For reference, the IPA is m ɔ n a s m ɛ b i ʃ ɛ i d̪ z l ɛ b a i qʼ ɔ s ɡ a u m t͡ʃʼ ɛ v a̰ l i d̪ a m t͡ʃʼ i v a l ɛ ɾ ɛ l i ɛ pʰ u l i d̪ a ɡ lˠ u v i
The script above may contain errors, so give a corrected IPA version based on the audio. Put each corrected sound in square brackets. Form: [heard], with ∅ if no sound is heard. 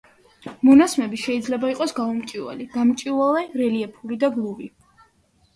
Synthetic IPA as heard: m ɔ n a s m ɛ b i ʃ ɛ i d̪ z l ɛ b a i qʼ ɔ s ɡ a u m t͡ʃʼ [i] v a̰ l i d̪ a m t͡ʃʼ i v a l ɛ ɾ ɛ l i ɛ pʰ u l i d̪ a ɡ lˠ u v i